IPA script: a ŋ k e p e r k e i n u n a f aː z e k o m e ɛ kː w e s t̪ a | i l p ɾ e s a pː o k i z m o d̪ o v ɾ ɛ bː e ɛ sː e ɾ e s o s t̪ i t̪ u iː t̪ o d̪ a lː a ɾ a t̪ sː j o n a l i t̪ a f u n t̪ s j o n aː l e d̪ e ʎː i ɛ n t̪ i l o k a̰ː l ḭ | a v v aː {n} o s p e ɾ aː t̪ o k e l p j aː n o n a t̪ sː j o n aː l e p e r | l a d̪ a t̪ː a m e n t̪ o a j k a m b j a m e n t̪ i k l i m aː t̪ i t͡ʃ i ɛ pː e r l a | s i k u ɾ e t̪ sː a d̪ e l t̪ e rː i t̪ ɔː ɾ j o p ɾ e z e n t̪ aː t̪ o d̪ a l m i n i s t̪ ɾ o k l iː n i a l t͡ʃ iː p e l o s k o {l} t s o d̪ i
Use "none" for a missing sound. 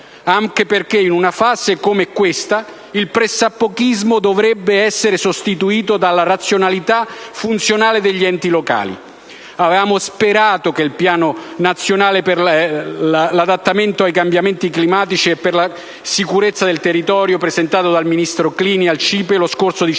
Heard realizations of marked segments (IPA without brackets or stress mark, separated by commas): m, r